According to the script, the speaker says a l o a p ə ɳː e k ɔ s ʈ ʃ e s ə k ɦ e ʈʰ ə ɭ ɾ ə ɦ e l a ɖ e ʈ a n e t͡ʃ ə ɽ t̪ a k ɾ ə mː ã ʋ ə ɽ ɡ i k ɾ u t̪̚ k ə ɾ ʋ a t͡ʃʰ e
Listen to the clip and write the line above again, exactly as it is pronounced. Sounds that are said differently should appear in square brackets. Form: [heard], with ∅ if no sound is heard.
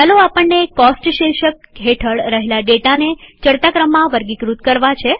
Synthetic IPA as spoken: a l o a p ə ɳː e k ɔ s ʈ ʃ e [ʃ] ə k ɦ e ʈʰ ə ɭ ɾ ə ɦ e l a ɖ e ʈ a n e t͡ʃ ə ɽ t̪ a k ɾ ə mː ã ʋ ə [ɾ] ɡ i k ɾ u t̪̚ k ə ɾ ʋ a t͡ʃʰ e

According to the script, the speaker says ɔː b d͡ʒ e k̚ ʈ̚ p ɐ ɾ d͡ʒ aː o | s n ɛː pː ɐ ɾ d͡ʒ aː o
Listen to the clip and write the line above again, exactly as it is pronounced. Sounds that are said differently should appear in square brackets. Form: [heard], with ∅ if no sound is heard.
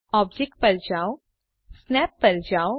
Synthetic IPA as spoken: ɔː b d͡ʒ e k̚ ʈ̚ p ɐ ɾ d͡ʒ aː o | s n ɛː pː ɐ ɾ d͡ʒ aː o

